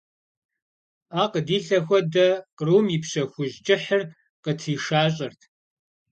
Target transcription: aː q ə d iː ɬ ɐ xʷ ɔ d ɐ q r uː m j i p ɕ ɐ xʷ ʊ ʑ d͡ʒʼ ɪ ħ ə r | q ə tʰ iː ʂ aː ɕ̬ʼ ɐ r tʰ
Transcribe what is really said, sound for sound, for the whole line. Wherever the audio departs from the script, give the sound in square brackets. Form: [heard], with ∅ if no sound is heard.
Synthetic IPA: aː q ə d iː ɬ ɐ xʷ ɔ d ɐ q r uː m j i p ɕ ɐ xʷ ʊ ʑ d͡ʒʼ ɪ ħ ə r | q ə tʰ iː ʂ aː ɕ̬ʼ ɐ r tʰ